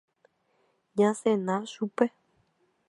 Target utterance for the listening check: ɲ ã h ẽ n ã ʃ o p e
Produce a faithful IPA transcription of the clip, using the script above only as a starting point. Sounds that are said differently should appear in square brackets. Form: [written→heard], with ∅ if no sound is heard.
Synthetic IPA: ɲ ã [h→s] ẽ n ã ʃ [o→u] p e